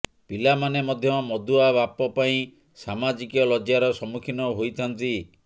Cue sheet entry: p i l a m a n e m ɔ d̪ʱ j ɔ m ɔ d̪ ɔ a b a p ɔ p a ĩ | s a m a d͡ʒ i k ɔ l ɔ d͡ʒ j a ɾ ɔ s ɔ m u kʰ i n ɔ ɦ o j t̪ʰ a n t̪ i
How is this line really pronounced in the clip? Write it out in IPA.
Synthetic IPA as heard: p i l a m a n e m ɔ d̪ʱ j ɔ m ɔ d̪ u a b a p ɔ p a ĩ | s a m a d͡ʒ i k ɔ l ɔ d͡ʒ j a ɾ ɔ s ɔ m u kʰ i n ɔ ɦ o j t̪ʰ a n t̪ i